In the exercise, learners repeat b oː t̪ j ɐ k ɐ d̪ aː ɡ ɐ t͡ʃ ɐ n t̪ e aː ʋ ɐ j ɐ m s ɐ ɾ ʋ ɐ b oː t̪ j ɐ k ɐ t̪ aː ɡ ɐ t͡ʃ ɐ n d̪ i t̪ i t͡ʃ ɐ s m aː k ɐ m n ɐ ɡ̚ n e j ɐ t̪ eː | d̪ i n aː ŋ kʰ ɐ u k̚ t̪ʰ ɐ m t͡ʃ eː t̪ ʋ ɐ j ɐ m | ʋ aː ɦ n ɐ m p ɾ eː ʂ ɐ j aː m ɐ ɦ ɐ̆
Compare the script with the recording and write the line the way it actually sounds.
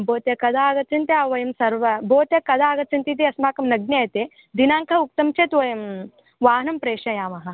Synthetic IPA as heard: b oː t̪ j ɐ k ɐ d̪ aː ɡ ɐ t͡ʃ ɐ n t̪ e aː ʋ ɐ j ɐ m s ɐ ɾ ʋ ɐ b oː t̪ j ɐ k ɐ d̪ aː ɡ ɐ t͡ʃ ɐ n t̪ i t̪ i ɐ s m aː k ɐ m n ɐ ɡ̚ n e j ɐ t̪ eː | d̪ i n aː ŋ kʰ ɐ u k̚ t̪ ɐ m t͡ʃ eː t̪ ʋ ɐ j ɐ m | ʋ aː ɦ n ɐ m p ɾ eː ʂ ɐ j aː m ɐ ɦ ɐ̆